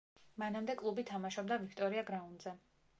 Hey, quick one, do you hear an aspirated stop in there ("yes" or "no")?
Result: yes